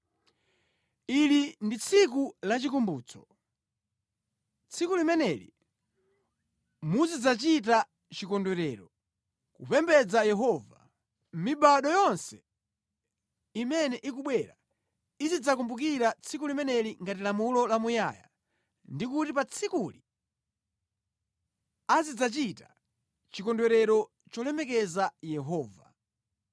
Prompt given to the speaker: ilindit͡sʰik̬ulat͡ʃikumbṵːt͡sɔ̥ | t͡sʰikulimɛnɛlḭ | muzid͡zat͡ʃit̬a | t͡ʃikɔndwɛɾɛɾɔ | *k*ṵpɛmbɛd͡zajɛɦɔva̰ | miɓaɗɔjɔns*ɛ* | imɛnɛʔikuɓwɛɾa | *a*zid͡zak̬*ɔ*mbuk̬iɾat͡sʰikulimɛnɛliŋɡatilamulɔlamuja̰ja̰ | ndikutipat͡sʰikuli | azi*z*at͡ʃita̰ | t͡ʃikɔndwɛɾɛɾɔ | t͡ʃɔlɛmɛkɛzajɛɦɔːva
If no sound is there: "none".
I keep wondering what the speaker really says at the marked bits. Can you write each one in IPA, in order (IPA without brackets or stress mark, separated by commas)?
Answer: k, ɛ, i, u, d͡z